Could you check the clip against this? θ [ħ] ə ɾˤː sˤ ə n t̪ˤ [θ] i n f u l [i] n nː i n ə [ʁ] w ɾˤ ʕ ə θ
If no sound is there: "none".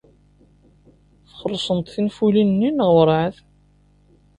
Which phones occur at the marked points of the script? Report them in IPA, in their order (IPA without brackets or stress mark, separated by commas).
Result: χ, θ, i, ʁ